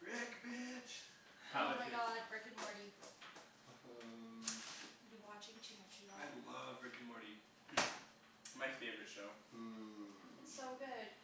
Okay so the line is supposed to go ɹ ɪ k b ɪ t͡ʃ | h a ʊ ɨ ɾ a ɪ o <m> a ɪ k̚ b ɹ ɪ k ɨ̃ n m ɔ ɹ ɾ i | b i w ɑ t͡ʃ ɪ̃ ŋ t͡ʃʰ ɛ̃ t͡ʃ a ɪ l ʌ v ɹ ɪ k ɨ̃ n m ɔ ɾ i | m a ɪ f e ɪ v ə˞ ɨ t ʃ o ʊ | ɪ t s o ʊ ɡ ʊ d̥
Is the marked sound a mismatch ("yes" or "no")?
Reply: yes